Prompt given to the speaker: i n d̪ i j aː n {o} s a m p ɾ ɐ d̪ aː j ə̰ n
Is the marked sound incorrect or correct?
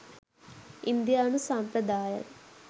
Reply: incorrect